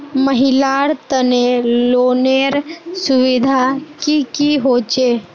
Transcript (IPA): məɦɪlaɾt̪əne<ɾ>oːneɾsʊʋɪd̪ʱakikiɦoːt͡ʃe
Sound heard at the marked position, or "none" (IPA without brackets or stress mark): l